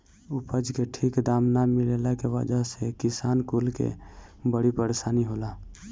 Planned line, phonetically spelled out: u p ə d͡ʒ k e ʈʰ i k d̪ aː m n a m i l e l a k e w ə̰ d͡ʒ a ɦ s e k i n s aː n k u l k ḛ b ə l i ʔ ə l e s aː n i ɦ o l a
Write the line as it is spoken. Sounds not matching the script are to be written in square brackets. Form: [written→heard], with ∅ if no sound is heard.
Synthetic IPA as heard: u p ə d͡ʒ k e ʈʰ i k d̪ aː m n a m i l e l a k e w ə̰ d͡ʒ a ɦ s e k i [n→∅] s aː n k u l k ḛ b ə [l→ɽ] i [ʔ→p] ə [l→ɾ] e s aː n i ɦ o l a